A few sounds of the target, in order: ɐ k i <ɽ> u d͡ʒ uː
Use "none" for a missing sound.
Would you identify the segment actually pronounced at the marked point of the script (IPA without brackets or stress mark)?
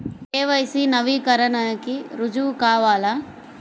ɾ